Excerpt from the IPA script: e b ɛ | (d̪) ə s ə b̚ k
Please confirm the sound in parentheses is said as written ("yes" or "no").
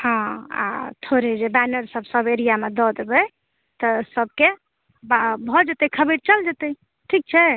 no